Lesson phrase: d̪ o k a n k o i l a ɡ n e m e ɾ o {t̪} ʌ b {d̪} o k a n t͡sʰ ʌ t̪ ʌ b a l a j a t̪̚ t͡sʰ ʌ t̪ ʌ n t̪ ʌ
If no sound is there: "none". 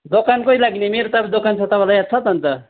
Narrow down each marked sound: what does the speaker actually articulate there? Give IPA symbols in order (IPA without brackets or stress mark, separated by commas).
t̪, d̪